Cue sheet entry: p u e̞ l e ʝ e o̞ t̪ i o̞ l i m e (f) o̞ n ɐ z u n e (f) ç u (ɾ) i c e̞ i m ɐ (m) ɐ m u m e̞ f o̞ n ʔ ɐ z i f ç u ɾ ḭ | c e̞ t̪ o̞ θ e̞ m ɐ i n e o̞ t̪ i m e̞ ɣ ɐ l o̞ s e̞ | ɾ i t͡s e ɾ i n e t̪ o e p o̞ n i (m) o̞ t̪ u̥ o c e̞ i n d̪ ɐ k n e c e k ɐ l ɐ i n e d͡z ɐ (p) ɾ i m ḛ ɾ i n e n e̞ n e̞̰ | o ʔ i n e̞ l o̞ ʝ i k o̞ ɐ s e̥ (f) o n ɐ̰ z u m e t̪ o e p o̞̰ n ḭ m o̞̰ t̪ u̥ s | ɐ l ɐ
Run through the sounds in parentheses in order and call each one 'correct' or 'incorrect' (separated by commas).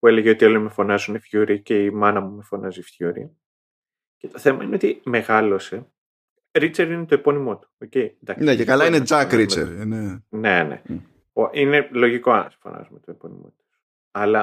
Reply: correct, correct, correct, incorrect, correct, incorrect, correct